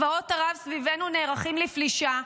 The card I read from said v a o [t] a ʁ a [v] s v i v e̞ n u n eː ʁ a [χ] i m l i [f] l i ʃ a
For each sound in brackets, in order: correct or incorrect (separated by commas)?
correct, correct, correct, correct